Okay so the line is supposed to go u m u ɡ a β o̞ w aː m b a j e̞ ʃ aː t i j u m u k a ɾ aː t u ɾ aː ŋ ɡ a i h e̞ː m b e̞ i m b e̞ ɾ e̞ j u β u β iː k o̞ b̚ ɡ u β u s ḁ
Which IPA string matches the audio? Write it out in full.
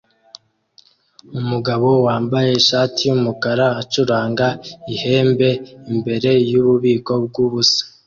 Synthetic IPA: u m u ɡ a β o̞ w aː m b a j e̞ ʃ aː t i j u m u k a ɾ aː t͡ʃ u ɾ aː ŋ ɡ a i h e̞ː m b e̞ i m b e̞ ɾ e̞ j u β u β iː k o̞ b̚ ɡ u β u s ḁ